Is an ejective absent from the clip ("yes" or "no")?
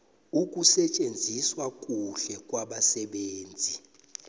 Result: no